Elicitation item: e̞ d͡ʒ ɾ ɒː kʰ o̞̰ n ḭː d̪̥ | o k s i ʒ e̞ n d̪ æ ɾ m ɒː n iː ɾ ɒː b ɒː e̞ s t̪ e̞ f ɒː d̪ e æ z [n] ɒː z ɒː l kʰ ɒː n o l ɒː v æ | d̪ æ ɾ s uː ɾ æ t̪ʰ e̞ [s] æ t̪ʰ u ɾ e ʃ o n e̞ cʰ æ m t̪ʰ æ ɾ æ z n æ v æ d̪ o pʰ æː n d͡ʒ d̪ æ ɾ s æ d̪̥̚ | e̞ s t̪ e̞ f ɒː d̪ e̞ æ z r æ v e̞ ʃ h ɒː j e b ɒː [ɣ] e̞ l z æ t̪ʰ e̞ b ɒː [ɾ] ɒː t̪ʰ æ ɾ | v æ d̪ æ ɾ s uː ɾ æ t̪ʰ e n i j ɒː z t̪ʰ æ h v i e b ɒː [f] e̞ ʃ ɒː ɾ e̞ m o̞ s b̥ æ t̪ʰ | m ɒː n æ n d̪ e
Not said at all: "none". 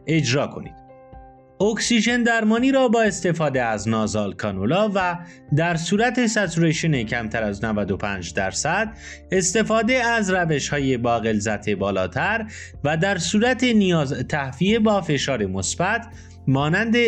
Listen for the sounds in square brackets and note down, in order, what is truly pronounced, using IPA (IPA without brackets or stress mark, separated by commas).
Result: n, s, ɣ, l, f